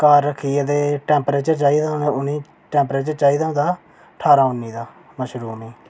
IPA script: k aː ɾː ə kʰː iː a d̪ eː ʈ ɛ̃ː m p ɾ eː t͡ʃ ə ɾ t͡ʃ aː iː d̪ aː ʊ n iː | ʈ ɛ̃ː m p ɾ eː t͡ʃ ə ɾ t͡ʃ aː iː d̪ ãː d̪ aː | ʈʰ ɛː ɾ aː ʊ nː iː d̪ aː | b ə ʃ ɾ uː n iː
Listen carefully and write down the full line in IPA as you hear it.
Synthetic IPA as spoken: k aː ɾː ə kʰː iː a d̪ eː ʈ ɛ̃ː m p ɾ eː t͡ʃ ə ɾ t͡ʃ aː iː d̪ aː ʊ n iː | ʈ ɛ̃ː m p ɾ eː t͡ʃ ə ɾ t͡ʃ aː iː d̪ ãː d̪ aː | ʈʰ aː ɾ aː ʊ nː iː d̪ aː | m ə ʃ ɾ uː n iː